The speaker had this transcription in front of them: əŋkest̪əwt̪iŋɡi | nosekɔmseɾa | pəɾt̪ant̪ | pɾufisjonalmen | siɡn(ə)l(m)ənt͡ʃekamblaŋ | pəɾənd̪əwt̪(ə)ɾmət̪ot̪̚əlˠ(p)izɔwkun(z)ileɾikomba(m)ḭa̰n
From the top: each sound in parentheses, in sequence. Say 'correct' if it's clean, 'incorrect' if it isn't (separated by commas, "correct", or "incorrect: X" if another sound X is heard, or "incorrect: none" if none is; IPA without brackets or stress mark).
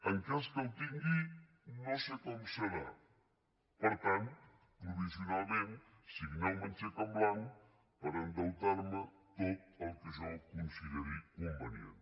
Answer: incorrect: a, correct, incorrect: a, incorrect: k, incorrect: s, incorrect: n